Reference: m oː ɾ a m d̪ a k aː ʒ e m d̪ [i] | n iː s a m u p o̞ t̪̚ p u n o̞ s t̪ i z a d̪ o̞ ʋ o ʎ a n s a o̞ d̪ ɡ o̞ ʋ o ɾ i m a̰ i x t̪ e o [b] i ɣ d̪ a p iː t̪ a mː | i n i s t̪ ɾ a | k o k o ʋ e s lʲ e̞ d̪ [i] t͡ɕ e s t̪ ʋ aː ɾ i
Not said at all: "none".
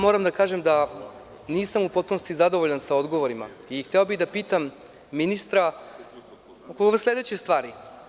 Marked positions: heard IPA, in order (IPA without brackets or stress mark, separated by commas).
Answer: a, b, e